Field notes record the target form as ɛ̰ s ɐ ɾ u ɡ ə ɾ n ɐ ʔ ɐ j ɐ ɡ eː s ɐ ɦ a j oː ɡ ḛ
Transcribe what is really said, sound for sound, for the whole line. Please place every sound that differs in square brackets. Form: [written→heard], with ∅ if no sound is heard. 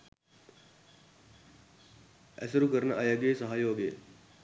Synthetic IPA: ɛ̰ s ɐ ɾ u [ɡ→k] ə ɾ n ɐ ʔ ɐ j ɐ ɡ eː s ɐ ɦ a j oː ɡ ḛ